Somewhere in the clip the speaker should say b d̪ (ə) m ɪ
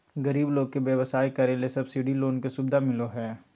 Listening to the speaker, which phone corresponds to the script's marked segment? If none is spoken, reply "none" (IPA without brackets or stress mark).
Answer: a